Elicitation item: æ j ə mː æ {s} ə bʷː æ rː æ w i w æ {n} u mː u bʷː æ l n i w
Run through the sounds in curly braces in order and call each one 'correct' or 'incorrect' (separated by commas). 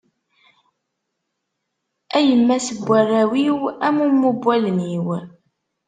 correct, incorrect